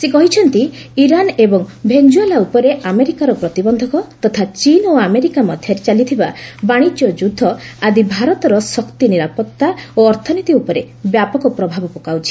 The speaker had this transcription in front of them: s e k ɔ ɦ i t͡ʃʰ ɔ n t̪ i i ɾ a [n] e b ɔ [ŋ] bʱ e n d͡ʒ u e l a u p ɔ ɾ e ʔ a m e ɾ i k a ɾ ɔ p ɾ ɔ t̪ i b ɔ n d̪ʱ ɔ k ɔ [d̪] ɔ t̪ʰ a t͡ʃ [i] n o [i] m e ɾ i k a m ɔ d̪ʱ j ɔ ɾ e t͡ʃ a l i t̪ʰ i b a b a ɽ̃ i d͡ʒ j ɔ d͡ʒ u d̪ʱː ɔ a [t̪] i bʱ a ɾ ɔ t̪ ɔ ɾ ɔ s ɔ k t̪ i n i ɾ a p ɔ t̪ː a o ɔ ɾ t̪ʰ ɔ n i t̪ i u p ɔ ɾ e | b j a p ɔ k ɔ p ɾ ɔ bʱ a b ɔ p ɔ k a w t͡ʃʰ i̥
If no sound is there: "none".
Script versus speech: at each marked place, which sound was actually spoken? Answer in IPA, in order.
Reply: n, ŋ, t̪, i, a, d̪

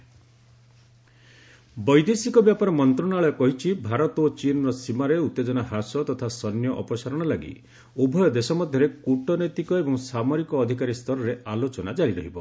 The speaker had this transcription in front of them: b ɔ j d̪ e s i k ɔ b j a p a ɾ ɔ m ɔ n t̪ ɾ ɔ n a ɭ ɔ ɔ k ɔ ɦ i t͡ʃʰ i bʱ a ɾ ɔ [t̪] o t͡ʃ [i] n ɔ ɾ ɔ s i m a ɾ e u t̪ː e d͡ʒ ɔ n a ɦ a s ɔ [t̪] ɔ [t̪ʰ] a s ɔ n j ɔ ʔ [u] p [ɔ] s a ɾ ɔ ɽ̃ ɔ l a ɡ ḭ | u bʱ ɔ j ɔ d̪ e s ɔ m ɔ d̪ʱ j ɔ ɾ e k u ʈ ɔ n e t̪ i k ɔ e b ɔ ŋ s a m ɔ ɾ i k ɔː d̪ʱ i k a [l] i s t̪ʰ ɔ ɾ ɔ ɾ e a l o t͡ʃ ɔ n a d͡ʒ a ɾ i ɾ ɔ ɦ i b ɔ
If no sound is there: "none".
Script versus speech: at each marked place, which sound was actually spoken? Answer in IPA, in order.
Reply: t̪, i, t̪, t̪ʰ, ɔ, ɔ, ɾ

